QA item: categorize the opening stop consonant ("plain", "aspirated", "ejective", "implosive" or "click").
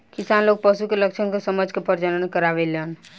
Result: plain